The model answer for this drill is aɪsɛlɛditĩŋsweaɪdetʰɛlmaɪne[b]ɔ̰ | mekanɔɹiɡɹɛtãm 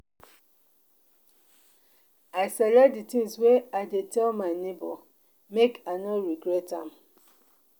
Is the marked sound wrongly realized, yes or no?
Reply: no